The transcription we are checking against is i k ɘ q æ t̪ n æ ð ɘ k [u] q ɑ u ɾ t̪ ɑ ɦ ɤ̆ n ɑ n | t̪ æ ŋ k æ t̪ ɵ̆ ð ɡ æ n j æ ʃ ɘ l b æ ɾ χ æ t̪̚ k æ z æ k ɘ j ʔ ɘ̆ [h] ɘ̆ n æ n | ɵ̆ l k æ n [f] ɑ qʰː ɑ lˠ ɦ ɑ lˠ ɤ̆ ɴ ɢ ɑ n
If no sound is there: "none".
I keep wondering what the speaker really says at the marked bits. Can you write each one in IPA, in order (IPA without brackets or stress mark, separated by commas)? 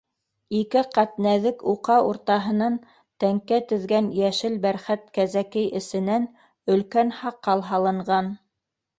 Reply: u, s, h